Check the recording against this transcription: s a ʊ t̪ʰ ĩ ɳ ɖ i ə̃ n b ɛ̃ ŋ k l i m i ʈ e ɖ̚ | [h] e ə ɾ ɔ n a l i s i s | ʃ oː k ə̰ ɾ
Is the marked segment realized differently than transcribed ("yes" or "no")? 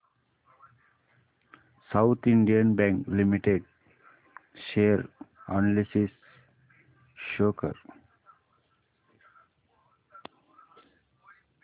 yes